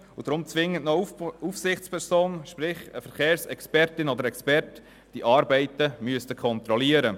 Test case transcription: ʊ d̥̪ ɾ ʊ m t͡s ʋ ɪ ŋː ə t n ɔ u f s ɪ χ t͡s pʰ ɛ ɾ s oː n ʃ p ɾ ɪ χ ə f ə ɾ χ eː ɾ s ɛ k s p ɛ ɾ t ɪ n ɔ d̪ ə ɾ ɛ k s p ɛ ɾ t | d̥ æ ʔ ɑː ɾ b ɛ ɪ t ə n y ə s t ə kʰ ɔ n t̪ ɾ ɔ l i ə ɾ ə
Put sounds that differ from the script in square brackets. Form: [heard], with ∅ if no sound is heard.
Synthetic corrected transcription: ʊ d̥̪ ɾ ʊ m t͡s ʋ ɪ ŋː ə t n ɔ u f s ɪ χ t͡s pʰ ɛ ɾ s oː n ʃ p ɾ ɪ χ ə f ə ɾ χ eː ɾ s ɛ k s p ɛ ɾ t ɪ n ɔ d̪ ə ɾ ɛ k s p ɛ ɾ t | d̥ [i] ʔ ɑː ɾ b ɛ ɪ t ə [m] y ə s t ə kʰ ɔ n t̪ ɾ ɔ l i ə ɾ ə

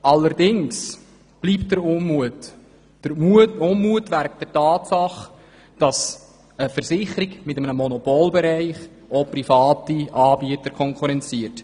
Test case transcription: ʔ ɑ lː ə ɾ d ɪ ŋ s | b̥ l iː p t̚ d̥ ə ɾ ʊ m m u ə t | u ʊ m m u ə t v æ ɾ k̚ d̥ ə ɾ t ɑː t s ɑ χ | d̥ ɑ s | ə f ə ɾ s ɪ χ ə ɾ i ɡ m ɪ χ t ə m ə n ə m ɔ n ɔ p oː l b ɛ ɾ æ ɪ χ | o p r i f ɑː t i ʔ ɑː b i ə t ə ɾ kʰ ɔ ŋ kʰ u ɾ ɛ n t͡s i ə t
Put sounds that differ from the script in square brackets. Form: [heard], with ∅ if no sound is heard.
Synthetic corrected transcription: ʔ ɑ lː ə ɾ d ɪ ŋ s | b̥ l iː p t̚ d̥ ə ɾ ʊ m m u ə t | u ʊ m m u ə t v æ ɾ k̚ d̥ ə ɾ t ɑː t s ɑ χ | d̥ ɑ s | ə f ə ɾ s ɪ χ ə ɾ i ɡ m ɪ [∅] t ə m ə n ə m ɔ n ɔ p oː l b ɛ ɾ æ ɪ χ | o p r i f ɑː t i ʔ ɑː b i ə t ə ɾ kʰ ɔ ŋ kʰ u ɾ ɛ n t͡s i ə t

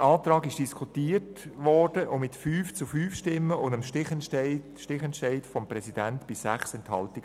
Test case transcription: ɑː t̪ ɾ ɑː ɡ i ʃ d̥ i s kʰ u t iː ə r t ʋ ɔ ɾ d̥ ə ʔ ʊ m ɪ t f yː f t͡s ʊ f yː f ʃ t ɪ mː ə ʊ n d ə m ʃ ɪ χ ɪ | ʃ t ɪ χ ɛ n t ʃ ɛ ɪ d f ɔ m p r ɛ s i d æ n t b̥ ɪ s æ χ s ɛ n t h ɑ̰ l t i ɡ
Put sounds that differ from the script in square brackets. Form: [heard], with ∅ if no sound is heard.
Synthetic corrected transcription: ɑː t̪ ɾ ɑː ɡ [ɪ] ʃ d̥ i s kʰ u t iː ə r t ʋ ɔ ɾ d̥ ə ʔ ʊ m ɪ t f yː f t͡s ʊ f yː f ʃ t ɪ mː ə ʊ n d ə m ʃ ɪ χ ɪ | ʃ t ɪ χ ɛ n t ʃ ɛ ɪ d f ɔ m p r ɛ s i d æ n t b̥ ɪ s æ χ s ɛ n t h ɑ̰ l t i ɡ

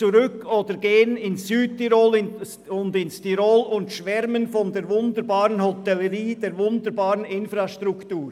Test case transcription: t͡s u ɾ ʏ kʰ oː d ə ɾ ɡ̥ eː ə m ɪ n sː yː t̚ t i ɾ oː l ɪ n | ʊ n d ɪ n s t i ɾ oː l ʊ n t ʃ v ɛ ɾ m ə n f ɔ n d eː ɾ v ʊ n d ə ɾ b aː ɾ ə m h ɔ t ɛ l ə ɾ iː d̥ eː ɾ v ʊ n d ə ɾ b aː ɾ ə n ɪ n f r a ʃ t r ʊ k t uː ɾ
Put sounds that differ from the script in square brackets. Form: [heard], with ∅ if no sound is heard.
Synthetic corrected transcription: t͡s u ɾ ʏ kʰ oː d ə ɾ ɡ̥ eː ə [n] ɪ n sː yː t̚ t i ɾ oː l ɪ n | ʊ n d ɪ n s t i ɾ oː l ʊ n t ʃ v ɛ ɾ m ə n f ɔ n d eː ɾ v ʊ n d ə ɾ b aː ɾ ə [n] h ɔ t ɛ l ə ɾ iː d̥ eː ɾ v ʊ n d ə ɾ b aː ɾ ə n ɪ n f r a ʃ t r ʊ k t uː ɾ

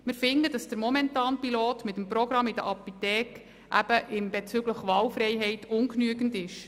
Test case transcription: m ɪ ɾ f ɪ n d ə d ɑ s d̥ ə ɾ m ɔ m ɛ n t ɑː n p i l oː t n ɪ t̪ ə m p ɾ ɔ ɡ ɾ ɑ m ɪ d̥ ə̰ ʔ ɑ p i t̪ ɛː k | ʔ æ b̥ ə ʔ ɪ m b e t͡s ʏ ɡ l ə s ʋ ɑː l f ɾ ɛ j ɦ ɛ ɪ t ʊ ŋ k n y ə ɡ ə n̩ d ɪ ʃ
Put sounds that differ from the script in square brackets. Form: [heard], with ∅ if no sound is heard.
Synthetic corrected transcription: m ɪ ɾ f ɪ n d ə d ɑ s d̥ ə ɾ m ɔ m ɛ n t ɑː n p i l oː t [m] ɪ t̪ ə m p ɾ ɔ ɡ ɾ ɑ m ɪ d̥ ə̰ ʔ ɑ p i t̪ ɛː k | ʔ æ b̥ ə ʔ ɪ m b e t͡s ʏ ɡ l ə [χ] ʋ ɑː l f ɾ ɛ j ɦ ɛ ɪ t ʊ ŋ k n y ə ɡ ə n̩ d ɪ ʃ

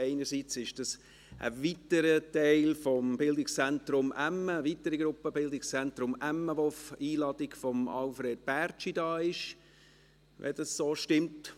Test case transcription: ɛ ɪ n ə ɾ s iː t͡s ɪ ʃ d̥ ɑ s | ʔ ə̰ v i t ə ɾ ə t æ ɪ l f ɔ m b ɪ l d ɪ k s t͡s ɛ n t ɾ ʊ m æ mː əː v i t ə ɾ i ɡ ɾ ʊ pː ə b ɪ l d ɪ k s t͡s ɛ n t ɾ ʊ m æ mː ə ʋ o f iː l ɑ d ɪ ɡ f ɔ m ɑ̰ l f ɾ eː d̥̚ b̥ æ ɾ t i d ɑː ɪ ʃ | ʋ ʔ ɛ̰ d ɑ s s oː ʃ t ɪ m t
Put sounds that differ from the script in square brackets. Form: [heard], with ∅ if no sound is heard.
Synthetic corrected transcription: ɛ ɪ n ə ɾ s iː t͡s ɪ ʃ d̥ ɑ s | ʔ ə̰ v i t ə ɾ ə t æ ɪ l f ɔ m b ɪ l d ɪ k s t͡s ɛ n t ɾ ʊ m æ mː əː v i t ə ɾ i ɡ ɾ ʊ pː ə b ɪ l d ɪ k s t͡s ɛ n t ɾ ʊ m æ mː ə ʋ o f iː l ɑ d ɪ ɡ f ɔ m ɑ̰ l f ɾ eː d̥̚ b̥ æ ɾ [t͡ʃ] i d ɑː ɪ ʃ | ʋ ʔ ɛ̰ d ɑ s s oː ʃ t ɪ m t

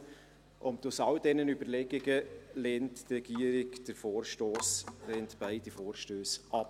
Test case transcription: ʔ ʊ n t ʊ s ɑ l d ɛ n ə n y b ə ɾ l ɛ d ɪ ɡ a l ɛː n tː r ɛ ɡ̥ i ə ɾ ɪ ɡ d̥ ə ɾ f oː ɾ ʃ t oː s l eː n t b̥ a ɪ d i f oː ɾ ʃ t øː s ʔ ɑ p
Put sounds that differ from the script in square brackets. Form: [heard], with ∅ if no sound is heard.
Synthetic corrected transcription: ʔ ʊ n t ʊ s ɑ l d ɛ n ə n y b ə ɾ l ɛ [ɡ] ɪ ɡ [ə] l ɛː n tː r ɛ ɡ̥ i ə ɾ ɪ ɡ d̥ ə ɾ f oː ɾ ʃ t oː s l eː n t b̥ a ɪ d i f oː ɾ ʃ t øː s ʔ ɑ p

